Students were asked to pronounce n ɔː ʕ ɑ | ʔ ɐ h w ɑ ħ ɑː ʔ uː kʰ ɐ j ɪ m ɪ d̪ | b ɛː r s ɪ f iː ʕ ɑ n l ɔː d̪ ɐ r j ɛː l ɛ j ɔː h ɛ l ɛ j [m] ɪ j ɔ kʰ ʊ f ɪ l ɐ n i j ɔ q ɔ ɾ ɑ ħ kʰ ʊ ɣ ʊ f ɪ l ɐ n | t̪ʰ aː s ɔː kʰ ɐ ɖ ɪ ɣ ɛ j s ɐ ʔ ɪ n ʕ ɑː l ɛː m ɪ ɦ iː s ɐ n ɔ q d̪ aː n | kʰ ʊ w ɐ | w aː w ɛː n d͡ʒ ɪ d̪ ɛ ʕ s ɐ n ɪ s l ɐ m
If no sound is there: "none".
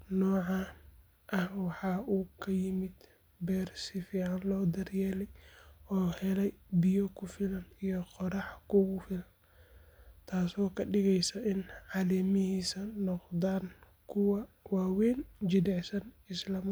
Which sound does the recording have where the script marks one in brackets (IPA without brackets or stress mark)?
b